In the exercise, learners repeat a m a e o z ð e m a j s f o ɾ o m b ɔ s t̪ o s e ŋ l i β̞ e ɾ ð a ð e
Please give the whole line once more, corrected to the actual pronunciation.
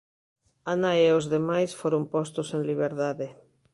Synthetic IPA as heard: a n a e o z ð e m a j s f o ɾ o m p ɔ s t̪ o s e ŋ l i β̞ e ɾ ð a ð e